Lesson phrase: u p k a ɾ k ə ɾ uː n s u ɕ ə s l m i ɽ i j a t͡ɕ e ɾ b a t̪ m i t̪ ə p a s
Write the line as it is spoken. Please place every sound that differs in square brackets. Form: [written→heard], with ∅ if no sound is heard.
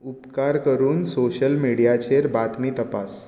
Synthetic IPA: u p k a ɾ k ə ɾ uː n s [u→o] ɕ ə [s→∅] l m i ɽ i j a t͡ɕ e ɾ b a t̪ m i t̪ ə p a s